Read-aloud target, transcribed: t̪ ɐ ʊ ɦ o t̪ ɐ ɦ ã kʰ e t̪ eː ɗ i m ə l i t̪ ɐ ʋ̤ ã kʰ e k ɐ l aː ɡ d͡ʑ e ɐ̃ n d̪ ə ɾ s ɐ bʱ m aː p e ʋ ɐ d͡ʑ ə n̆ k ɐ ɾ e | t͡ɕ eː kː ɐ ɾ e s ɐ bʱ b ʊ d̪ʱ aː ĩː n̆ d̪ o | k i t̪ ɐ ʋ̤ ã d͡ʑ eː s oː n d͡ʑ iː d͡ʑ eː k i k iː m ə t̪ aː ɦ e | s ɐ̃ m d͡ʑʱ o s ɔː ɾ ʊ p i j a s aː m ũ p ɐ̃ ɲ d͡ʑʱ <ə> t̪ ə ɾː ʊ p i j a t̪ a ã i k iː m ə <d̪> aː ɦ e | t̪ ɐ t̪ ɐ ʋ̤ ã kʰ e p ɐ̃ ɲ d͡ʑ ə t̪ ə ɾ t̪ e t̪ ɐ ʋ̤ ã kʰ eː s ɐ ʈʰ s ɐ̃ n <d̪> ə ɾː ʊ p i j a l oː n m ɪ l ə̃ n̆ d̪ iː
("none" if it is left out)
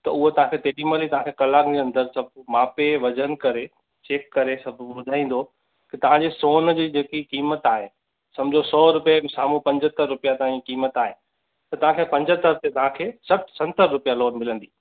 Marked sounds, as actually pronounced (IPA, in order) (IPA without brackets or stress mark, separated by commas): ə, t̪, t̪